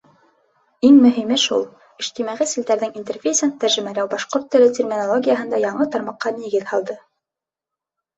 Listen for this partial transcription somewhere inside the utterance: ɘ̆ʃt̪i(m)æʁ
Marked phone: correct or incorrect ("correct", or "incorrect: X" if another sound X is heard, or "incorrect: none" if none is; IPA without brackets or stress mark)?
correct